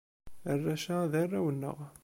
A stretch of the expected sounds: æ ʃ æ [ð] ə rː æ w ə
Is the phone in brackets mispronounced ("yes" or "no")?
no